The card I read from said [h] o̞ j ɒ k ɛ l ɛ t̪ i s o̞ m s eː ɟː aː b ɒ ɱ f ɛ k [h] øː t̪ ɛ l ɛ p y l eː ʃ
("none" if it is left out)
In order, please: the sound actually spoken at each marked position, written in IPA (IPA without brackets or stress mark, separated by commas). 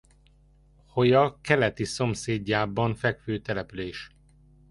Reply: h, f